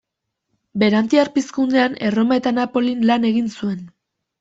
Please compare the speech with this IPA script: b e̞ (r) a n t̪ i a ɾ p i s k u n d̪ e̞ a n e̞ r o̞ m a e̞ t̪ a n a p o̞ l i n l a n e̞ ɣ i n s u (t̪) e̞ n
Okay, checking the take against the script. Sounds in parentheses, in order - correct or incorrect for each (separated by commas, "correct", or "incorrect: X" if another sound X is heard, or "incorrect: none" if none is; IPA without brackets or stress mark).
incorrect: ɾ, incorrect: none